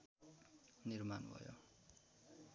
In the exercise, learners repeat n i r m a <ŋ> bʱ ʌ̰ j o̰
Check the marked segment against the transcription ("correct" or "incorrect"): incorrect